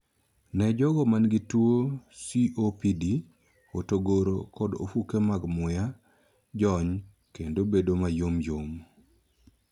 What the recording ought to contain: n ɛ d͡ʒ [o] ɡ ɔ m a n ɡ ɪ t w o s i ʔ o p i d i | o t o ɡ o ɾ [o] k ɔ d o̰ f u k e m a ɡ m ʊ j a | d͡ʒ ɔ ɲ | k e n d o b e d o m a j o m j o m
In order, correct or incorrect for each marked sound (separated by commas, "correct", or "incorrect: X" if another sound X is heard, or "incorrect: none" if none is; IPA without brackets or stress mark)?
incorrect: ɔ, correct